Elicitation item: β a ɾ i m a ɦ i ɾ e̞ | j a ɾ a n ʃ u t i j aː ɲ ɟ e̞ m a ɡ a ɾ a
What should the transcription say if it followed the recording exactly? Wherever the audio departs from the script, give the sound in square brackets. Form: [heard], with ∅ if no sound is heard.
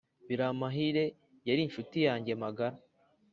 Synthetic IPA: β [i] ɾ [a] m a ɦ i ɾ e̞ | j a ɾ [i] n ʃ u t i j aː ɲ ɟ e̞ m a ɡ a ɾ a